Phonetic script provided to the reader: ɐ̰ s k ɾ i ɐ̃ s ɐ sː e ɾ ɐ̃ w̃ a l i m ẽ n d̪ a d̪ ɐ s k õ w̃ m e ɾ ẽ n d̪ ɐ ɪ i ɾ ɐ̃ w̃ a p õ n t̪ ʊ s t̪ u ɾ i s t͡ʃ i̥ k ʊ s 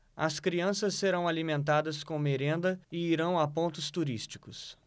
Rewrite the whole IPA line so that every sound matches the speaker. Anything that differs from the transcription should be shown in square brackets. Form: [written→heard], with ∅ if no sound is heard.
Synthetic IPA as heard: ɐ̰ s k ɾ i ɐ̃ s ɐ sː e ɾ ɐ̃ w̃ a l i m ẽ n [d̪→t̪] a d̪ ɐ s k õ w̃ m e ɾ ẽ n d̪ ɐ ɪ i ɾ ɐ̃ w̃ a p õ n t̪ ʊ s t̪ u ɾ i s t͡ʃ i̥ k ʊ s